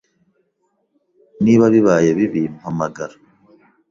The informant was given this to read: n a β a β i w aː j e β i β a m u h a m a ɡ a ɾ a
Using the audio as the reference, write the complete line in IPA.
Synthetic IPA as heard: n i β a β i β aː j e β i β i m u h a m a ɡ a ɾ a